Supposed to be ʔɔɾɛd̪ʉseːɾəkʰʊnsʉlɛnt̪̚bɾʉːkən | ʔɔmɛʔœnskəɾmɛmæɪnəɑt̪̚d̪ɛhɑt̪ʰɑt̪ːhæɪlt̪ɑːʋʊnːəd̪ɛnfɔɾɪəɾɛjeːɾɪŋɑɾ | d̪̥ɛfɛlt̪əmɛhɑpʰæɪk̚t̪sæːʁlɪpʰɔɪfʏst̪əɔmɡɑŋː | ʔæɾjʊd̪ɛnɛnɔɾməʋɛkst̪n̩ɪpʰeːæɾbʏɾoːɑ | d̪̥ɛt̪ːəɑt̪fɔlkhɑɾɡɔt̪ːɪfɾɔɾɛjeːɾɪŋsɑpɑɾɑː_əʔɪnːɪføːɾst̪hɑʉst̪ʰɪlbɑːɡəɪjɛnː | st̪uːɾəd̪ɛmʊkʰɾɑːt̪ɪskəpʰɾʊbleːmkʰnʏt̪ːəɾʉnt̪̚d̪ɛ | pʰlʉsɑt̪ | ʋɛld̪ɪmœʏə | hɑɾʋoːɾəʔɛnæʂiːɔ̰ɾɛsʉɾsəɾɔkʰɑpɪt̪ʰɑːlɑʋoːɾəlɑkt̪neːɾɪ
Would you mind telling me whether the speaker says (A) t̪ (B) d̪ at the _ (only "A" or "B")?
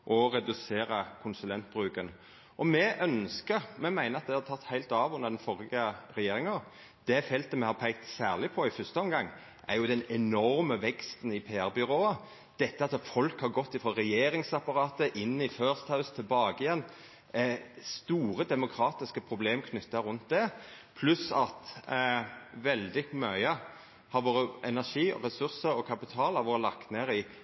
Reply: A